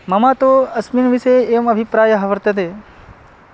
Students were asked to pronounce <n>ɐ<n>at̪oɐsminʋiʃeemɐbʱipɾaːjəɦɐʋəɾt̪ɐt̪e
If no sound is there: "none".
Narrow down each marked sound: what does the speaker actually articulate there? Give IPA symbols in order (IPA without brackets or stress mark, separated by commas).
m, m